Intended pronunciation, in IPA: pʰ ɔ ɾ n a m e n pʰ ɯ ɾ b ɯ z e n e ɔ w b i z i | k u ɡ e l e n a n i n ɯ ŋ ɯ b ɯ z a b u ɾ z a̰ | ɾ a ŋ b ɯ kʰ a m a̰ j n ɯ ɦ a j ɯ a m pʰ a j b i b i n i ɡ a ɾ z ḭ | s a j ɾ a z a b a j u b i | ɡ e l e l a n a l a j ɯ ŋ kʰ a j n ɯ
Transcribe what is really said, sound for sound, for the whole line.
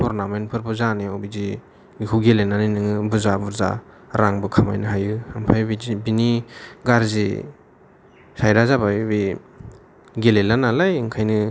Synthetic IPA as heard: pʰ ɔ ɾ n a m e n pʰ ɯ ɾ b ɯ z a n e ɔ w b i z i | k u ɡ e l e n a n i n ɯ ŋ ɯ b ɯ z a b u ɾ z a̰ | ɾ a ŋ b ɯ kʰ a m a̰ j n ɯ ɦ a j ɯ a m pʰ a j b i b i n i ɡ a ɾ z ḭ | s a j ɾ a z a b a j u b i | ɡ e l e l a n a l a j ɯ ŋ kʰ a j n ɯ